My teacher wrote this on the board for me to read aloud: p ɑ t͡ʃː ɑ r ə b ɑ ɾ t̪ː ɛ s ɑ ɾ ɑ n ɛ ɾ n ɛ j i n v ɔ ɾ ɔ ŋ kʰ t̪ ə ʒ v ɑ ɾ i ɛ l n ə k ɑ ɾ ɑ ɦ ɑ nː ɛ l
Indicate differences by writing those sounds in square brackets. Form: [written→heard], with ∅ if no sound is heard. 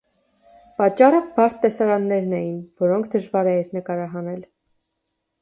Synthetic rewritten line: p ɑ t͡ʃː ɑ r ə b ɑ ɾ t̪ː ɛ s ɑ ɾ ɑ [n→nː] ɛ ɾ n ɛ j i n v ɔ ɾ ɔ ŋ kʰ [t̪→d̪] ə ʒ v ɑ ɾ [i→ɛ] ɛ [l→ɾ] n ə k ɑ ɾ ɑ ɦ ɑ [nː→n] ɛ l